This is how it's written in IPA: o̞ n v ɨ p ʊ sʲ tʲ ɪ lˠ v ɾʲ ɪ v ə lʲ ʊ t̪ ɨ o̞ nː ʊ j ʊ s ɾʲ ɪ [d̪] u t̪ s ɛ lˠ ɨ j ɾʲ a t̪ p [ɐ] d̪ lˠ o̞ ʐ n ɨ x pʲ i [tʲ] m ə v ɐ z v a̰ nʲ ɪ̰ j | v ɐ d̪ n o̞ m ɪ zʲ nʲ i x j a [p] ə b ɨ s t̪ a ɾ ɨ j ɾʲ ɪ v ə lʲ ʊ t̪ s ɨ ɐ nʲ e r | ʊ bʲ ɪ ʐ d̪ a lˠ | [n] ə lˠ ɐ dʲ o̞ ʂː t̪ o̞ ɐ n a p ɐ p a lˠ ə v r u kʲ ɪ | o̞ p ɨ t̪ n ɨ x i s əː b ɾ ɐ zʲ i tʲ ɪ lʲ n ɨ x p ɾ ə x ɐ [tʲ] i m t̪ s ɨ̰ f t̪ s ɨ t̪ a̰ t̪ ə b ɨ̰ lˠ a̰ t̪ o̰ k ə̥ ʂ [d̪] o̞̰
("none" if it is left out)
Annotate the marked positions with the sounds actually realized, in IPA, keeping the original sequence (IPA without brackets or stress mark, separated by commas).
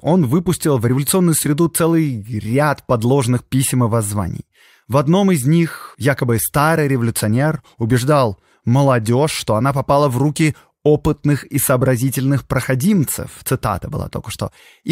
d̪, ɐ, sʲ, k, m, dʲ, t̪